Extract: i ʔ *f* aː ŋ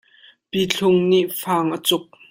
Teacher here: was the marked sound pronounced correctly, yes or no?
yes